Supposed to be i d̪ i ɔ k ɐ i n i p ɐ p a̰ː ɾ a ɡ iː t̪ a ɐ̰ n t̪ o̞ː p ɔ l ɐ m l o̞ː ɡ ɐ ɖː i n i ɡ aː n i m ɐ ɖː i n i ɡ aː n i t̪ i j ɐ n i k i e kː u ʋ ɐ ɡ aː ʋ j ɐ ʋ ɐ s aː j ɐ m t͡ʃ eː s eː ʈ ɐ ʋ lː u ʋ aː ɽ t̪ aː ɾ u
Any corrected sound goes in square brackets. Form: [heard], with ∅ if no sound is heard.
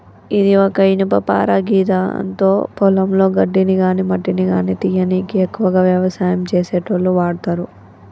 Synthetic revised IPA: i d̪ i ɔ k ɐ i n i p ɐ p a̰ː ɾ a ɡ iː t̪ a ɐ̰ n t̪ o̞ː p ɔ l ɐ m l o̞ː ɡ ɐ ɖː i n i ɡ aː n i m ɐ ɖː i n i ɡ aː n i t̪ i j ɐ n i k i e kː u ʋ ɐ ɡ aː ʋ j ɐ ʋ ɐ s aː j ɐ m t͡ʃ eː s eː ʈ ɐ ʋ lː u ʋ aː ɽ t̪ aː ɾ u